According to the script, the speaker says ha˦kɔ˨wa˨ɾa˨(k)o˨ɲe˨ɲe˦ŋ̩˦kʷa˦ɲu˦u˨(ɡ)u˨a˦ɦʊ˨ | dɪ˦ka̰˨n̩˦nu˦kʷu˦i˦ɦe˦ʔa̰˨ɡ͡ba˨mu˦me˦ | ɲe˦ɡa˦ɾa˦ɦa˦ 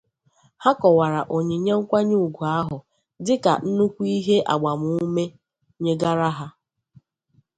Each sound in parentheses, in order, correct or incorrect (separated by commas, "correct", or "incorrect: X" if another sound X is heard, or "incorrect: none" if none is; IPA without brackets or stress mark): incorrect: ʔ, correct